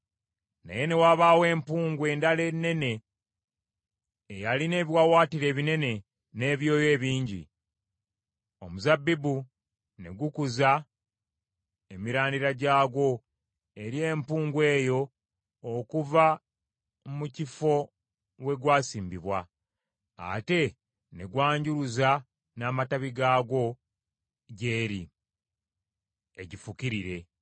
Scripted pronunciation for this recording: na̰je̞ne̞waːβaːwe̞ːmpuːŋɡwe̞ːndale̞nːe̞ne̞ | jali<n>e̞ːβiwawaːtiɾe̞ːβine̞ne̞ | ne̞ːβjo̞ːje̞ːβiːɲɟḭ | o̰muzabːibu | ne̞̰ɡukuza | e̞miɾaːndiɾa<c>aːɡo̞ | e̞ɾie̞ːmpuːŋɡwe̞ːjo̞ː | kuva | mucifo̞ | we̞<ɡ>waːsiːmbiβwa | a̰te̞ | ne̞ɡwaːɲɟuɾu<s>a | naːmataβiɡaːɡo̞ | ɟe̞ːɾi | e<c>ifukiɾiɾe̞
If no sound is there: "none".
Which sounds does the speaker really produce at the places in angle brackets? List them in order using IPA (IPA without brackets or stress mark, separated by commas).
n, ɟ, ɡ, z, ɟ